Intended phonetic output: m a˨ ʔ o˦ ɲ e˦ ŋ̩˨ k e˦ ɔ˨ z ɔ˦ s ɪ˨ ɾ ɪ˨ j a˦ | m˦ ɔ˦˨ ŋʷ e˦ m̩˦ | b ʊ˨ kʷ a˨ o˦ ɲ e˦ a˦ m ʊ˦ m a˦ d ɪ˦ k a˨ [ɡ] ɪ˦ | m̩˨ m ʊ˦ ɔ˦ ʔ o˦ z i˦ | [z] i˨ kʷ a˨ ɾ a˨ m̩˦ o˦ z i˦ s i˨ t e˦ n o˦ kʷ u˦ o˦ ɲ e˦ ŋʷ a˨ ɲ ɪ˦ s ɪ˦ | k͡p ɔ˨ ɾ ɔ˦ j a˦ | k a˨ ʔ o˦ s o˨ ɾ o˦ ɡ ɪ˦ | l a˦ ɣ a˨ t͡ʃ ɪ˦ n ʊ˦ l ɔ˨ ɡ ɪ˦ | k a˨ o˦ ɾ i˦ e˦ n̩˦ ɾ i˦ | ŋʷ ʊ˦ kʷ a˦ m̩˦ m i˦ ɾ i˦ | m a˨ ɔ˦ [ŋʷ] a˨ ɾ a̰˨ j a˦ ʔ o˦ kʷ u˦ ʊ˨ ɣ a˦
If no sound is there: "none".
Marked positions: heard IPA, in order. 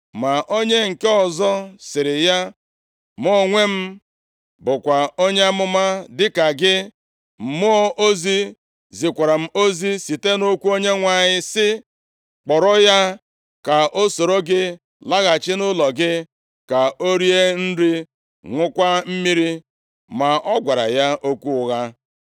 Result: ɡ, z, ɡʷ

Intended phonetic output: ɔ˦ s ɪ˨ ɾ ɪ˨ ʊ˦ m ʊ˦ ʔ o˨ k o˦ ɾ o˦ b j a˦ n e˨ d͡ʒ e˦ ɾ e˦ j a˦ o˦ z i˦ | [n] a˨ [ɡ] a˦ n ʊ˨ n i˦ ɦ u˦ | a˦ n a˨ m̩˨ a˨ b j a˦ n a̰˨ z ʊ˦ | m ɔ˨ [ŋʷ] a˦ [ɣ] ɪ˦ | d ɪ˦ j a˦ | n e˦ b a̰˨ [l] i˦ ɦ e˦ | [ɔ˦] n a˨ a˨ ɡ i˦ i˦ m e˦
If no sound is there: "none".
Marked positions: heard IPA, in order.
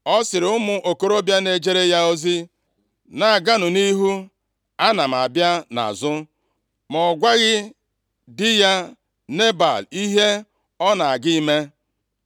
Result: n, ɡ, ɡʷ, ɣ, l, ɔ˦

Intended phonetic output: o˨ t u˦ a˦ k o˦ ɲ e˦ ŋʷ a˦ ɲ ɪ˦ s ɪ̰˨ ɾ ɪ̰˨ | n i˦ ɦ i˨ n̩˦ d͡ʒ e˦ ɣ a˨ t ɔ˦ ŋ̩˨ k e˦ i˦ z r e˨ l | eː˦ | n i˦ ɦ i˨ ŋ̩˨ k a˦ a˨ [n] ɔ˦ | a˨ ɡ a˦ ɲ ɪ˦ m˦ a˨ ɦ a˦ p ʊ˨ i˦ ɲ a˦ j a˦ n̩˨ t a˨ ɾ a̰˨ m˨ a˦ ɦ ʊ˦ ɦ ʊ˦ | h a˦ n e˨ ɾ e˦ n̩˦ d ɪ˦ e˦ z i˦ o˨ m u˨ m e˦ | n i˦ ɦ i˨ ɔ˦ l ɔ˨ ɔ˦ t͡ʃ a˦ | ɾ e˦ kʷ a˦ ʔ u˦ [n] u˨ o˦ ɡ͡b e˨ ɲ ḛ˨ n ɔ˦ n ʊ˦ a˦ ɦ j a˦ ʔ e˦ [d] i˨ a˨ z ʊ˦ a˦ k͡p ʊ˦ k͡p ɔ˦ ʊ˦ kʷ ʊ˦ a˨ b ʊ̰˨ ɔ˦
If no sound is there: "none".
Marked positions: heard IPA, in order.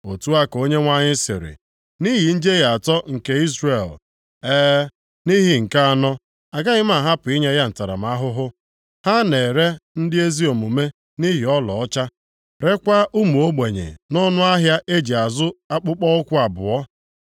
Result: n, m, d͡ʒ

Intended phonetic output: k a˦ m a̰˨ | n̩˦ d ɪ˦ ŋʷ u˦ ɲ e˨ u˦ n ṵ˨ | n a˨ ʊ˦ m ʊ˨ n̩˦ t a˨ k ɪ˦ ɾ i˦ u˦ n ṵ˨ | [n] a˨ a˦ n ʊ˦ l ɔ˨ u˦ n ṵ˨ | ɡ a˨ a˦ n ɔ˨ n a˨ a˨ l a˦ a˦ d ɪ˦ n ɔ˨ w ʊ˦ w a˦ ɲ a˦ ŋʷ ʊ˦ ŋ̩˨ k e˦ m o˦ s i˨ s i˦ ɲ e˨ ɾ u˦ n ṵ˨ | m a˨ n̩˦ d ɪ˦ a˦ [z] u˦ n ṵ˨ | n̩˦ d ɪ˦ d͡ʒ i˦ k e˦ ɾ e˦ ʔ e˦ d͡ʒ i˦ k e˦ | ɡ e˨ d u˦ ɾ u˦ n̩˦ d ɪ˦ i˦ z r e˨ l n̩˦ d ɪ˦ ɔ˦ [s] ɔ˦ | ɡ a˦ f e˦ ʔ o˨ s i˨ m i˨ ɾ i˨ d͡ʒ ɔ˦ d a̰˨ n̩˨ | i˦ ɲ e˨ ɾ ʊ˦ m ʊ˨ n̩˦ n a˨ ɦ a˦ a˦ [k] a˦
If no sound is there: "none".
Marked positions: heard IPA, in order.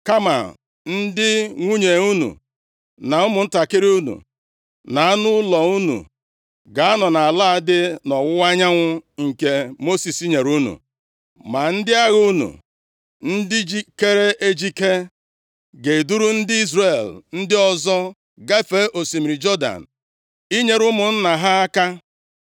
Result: n, ɣ, z, k

